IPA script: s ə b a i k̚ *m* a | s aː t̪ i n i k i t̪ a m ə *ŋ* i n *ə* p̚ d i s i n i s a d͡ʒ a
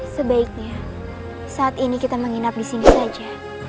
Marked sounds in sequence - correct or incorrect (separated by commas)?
incorrect, correct, incorrect